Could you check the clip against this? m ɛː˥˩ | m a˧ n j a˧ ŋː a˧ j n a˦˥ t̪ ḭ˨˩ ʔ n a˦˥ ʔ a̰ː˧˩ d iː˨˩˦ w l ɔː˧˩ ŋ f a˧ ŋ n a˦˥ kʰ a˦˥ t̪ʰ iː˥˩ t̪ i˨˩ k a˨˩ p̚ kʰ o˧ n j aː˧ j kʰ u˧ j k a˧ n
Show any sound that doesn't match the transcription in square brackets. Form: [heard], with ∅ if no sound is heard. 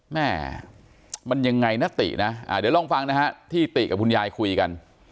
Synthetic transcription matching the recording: m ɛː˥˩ | m a˧ n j a˧ ŋː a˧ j n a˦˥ t̪ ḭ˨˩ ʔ n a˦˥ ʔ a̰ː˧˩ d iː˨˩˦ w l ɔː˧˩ ŋ f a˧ ŋ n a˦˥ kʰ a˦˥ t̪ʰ iː˥˩ t̪ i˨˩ k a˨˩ p̚ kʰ [u˧] n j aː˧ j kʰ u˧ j k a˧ n